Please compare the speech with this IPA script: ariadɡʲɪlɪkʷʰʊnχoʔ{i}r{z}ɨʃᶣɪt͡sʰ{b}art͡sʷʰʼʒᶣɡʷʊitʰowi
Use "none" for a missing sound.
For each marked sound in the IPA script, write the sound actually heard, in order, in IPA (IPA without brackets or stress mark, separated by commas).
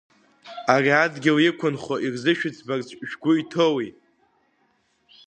i, z, b